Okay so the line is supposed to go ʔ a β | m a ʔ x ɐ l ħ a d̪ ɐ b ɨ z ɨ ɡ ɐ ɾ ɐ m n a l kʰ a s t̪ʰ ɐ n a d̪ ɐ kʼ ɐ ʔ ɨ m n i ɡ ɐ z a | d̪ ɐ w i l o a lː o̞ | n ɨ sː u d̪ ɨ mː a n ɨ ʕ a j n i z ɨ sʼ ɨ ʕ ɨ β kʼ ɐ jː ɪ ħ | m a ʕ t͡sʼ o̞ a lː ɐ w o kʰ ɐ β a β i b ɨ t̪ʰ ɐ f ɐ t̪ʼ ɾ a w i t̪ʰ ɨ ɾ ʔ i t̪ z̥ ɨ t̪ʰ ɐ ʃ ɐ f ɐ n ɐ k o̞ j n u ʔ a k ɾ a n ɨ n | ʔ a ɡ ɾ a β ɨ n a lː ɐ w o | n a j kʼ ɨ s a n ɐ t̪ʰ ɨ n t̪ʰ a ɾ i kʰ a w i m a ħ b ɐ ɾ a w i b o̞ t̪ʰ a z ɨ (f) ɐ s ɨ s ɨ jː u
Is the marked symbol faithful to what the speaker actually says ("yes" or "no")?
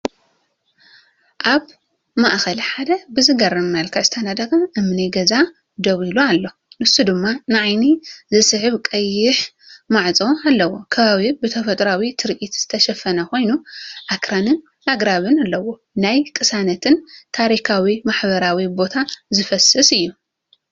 yes